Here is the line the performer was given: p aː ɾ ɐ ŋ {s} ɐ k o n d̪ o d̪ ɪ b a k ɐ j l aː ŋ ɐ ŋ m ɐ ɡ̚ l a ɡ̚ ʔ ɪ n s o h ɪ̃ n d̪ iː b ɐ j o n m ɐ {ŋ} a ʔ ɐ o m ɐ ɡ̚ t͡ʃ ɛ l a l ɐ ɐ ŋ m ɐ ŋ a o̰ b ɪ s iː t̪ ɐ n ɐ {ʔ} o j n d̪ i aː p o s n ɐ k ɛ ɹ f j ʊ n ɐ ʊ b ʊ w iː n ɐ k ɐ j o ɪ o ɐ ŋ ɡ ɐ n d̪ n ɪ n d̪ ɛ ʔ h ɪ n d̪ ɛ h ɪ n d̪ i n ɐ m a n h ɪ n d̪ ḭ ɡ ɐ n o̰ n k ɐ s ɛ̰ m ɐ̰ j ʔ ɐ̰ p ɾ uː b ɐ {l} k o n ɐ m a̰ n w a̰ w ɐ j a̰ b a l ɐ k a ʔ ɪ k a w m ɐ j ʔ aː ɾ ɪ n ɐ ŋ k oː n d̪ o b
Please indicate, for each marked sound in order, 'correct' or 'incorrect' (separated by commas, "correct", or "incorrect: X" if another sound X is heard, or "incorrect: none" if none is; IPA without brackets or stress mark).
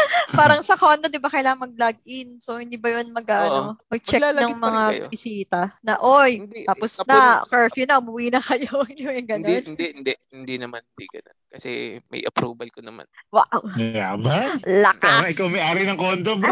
correct, incorrect: ɡ, correct, correct